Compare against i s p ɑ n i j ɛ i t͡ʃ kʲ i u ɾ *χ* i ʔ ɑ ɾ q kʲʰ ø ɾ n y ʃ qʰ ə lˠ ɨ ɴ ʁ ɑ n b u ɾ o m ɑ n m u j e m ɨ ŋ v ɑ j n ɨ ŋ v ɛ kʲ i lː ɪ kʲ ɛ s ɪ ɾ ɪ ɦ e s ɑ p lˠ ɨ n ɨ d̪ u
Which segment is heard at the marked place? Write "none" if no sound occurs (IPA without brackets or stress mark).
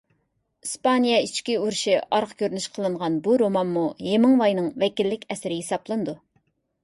ʃ